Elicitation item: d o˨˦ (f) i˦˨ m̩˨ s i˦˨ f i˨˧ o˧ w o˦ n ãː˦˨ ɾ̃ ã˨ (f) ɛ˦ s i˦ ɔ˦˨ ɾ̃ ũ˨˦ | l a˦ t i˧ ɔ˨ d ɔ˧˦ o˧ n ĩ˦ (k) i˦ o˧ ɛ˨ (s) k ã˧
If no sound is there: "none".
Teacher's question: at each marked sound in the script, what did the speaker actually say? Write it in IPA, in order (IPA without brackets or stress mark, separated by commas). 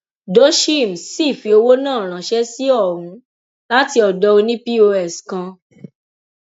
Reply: ʃ, ʃ, p, s